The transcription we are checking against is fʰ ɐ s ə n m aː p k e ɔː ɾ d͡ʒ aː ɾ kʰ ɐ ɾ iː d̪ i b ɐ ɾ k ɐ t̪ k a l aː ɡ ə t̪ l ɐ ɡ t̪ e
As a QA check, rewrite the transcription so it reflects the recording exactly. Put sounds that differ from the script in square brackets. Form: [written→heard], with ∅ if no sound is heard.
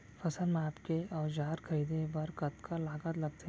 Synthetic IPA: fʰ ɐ s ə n m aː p k e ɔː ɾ d͡ʒ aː ɾ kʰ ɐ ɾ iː d̪ [i→e] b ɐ ɾ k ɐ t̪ k a l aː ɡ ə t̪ l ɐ ɡ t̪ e